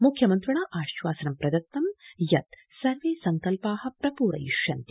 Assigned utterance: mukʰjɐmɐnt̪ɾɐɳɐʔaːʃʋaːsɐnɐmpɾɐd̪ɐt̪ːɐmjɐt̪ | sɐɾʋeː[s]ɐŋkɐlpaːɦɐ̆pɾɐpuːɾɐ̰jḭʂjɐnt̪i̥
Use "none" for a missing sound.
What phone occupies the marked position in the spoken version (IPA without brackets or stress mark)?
s